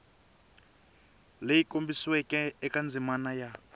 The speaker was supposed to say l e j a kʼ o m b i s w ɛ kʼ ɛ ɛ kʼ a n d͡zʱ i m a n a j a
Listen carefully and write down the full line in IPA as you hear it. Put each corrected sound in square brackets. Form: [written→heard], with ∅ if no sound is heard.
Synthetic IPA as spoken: l e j [a→i] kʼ o m b i s w ɛ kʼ ɛ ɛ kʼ a n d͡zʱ i m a n a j a